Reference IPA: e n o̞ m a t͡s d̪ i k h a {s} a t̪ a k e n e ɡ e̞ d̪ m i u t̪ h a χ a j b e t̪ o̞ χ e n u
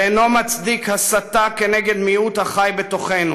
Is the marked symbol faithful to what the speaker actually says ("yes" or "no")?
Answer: yes